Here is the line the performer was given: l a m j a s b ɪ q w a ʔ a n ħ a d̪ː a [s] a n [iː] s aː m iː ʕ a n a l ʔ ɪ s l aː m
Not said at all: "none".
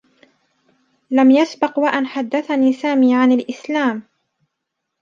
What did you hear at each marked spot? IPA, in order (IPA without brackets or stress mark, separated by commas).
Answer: θ, iː